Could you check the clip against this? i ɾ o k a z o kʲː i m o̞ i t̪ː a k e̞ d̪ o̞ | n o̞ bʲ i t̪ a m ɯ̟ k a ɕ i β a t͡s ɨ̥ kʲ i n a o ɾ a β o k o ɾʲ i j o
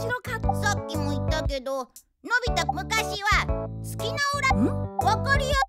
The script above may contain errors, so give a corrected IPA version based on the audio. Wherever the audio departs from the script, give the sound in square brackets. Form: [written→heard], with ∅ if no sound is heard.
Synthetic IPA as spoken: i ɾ o k a [z→s] o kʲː i m o̞ i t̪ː a k e̞ d̪ o̞ | n o̞ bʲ i t̪ a m ɯ̟ k a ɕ i β a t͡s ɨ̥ kʲ i n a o ɾ a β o k o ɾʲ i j o